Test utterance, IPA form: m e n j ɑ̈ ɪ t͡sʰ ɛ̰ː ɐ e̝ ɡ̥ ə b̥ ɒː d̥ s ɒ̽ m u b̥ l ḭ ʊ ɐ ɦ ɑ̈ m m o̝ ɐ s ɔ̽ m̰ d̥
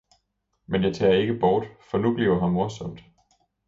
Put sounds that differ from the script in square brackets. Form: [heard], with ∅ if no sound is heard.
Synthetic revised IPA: m e n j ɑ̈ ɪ t͡sʰ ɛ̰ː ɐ e̝ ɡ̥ ə b̥ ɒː d̥ [f] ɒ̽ [n] u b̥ l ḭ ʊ ɐ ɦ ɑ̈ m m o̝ ɐ s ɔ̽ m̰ d̥